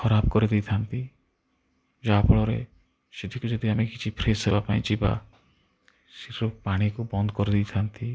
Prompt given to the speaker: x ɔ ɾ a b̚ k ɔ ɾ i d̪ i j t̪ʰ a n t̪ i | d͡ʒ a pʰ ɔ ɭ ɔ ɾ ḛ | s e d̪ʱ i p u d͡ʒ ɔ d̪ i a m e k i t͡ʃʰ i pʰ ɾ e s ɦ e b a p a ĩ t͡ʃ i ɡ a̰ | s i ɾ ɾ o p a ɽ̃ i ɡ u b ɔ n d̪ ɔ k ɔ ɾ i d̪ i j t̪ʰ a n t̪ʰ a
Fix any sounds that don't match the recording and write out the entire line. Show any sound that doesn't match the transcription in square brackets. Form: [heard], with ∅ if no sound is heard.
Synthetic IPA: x ɔ ɾ a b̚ k ɔ ɾ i d̪ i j t̪ʰ a n t̪ i | d͡ʒ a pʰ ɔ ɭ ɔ ɾ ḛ | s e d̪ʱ i [k] u d͡ʒ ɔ d̪ i a m e k i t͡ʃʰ i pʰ ɾ e s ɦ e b a p a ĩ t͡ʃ i [b] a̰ | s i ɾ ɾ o p a ɽ̃ i [k] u b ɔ n d̪ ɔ k ɔ ɾ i d̪ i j t̪ʰ a n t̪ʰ [i]